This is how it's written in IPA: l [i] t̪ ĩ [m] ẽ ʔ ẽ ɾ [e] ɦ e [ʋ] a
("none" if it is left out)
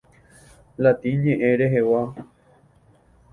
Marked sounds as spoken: a, ɲ, e, w

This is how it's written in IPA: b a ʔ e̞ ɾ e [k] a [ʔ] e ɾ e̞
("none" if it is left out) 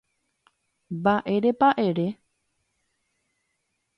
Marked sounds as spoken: p, ʔ

